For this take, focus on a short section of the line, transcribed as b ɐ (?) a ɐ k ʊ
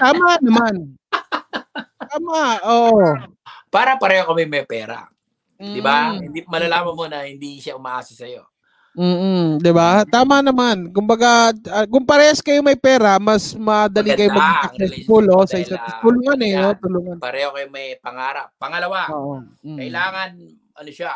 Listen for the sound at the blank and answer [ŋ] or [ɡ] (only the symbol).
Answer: ɡ